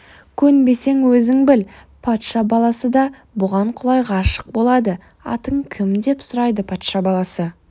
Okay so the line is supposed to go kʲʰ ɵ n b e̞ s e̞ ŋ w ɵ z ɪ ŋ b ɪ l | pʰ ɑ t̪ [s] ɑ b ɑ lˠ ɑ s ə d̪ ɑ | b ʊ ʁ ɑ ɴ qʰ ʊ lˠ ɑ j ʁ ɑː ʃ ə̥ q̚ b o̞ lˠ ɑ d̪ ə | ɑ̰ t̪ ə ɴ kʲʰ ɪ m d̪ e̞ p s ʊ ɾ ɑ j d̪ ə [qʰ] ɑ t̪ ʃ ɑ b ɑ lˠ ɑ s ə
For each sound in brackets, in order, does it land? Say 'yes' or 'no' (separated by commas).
no, no